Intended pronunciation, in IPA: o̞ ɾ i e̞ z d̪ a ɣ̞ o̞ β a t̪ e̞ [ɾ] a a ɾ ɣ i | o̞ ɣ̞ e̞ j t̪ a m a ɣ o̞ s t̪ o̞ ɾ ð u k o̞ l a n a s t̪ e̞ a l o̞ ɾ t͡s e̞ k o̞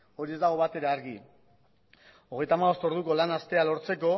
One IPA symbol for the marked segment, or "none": ɾ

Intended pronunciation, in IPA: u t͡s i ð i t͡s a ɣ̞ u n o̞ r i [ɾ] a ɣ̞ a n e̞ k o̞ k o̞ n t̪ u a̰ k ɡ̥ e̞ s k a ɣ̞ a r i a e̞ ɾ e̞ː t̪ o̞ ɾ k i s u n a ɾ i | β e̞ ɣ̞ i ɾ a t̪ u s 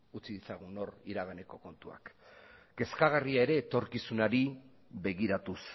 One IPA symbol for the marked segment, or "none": ɾ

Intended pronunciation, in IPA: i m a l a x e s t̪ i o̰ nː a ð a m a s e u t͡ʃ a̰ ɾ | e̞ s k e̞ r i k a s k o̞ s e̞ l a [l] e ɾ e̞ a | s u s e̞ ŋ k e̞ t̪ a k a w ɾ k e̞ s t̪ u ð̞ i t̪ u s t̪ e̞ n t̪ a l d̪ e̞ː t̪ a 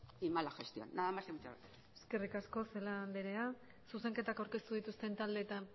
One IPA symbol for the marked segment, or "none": l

